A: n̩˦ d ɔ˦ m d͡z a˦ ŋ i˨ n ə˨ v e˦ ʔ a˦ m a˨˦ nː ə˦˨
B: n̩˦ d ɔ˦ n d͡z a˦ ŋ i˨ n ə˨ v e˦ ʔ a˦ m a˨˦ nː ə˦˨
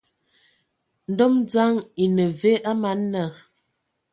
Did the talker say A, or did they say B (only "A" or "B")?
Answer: A